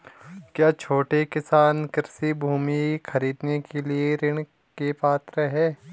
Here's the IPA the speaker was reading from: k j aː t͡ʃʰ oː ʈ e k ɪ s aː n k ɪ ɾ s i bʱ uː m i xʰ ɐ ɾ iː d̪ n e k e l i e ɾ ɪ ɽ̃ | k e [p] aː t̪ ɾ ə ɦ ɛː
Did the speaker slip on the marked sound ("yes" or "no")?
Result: no